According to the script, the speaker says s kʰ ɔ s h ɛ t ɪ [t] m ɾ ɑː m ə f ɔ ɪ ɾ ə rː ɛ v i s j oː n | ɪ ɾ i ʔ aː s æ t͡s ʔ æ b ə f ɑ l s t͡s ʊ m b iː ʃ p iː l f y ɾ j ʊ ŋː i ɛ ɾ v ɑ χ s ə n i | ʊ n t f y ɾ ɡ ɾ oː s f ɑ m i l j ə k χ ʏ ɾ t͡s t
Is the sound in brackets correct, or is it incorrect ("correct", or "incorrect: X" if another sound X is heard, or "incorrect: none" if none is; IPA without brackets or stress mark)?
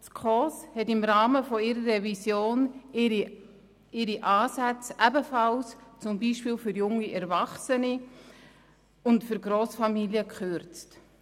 incorrect: none